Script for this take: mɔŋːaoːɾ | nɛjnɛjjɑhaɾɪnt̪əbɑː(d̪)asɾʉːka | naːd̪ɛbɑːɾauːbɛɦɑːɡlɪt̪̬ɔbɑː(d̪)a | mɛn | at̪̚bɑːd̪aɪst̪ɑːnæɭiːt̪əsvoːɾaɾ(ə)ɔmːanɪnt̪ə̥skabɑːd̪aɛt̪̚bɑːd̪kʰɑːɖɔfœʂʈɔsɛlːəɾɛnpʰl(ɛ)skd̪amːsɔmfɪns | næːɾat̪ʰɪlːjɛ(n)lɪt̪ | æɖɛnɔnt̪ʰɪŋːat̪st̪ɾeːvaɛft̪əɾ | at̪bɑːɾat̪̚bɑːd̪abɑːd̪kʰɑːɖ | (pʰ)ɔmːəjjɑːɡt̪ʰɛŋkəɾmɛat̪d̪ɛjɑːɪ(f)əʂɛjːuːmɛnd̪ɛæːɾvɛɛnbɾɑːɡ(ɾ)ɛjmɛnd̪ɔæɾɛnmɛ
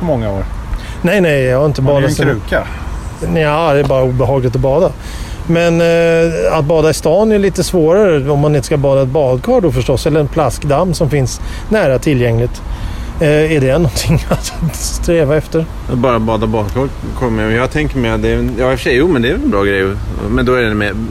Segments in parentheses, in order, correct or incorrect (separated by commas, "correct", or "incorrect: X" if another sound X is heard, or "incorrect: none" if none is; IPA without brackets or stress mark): correct, correct, correct, incorrect: a, incorrect: ŋ, incorrect: kʰ, correct, correct